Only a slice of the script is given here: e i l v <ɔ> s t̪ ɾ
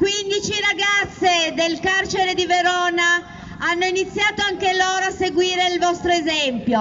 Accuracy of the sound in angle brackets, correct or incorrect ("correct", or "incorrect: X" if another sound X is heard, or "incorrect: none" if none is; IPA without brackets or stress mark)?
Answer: correct